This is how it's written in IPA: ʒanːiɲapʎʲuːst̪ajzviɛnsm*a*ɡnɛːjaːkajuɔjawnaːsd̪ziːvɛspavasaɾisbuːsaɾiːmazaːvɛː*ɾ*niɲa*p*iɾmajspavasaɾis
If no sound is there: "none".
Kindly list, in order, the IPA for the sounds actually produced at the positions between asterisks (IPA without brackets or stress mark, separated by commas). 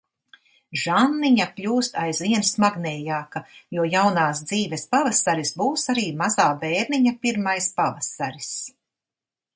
a, ɾ, p